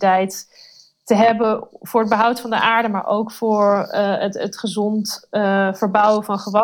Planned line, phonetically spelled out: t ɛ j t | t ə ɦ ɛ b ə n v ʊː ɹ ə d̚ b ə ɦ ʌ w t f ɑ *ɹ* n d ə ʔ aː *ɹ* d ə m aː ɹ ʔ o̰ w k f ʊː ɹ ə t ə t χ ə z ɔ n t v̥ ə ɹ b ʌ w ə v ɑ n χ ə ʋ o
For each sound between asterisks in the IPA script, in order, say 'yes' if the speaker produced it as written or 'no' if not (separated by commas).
no, yes